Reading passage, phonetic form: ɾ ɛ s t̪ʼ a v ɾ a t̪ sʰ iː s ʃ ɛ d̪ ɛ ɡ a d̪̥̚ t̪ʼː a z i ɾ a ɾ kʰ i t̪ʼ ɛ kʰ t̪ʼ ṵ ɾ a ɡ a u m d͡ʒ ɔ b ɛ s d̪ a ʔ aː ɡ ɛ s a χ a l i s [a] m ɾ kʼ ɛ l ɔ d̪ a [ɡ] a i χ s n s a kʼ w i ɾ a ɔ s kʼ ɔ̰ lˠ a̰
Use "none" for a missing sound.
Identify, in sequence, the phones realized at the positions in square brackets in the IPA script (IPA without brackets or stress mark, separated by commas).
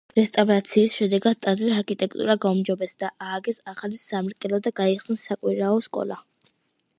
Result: a, ɡ